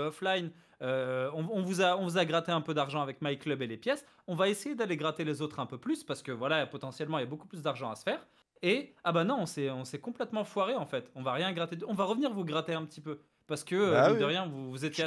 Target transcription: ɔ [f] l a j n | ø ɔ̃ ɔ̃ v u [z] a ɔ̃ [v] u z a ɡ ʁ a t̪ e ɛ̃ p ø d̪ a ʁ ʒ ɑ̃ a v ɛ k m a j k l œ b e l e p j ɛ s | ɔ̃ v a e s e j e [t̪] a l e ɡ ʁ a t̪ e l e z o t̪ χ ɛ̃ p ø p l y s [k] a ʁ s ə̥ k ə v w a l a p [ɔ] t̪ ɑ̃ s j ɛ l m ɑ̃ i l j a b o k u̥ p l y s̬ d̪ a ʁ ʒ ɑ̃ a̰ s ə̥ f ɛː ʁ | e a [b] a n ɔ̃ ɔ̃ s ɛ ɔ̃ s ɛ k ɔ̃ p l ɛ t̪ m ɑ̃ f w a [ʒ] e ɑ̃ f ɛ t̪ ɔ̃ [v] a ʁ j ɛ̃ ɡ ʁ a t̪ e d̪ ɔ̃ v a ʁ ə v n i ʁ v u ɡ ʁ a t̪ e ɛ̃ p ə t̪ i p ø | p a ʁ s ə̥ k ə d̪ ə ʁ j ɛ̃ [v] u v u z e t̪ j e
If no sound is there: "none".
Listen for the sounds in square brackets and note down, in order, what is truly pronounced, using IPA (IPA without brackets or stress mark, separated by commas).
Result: f, z, v, d̪, p, ɔ, b, ʁ, v, v